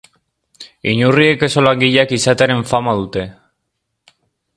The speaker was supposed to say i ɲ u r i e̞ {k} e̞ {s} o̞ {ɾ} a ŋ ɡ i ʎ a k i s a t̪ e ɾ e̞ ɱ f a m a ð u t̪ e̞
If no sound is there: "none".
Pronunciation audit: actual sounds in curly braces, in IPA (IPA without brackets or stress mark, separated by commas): k, s, l